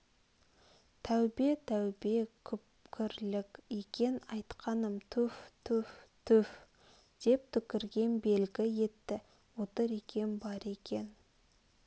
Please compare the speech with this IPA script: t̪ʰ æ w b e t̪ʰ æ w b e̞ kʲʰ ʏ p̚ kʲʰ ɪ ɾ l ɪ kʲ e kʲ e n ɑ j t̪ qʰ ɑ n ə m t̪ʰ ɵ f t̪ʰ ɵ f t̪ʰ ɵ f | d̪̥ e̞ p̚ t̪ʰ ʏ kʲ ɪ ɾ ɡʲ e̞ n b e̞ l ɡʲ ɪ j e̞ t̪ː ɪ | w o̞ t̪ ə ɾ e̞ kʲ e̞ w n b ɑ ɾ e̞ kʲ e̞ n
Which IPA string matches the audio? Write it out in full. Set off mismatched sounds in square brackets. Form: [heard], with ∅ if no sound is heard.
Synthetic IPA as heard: t̪ʰ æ w b e t̪ʰ æ w b e̞ kʲʰ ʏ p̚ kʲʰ ɪ ɾ l ɪ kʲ e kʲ e n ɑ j t̪ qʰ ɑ n ə m t̪ʰ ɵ f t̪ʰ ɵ f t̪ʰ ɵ f | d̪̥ e̞ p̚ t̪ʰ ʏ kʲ ɪ ɾ ɡʲ e̞ n b e̞ l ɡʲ ɪ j e̞ t̪ː ɪ | w o̞ t̪ ə ɾ e̞ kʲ e̞ [∅] n b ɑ ɾ e̞ kʲ e̞ n